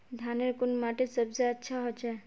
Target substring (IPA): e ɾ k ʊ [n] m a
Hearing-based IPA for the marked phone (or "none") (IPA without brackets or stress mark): n